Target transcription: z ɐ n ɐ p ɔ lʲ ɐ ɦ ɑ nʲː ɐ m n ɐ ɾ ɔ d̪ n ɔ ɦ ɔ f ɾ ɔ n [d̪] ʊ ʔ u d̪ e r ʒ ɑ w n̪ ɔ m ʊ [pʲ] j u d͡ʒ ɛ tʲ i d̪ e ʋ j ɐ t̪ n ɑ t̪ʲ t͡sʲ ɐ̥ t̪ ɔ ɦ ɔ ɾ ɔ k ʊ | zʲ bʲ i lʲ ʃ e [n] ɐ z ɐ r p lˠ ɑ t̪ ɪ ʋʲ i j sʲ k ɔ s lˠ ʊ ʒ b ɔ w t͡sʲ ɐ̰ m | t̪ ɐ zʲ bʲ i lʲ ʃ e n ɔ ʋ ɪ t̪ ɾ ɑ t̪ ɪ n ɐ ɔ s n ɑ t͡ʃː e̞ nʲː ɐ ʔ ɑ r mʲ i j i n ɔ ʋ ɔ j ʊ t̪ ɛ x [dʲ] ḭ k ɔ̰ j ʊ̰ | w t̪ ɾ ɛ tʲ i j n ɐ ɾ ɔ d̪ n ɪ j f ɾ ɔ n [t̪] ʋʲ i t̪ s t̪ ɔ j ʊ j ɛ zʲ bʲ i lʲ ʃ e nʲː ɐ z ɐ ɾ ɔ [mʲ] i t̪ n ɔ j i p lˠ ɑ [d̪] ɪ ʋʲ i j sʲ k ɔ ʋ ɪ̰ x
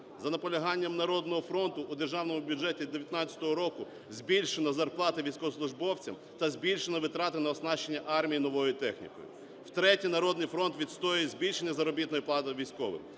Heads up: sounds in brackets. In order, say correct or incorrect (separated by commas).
incorrect, incorrect, correct, incorrect, correct, incorrect, incorrect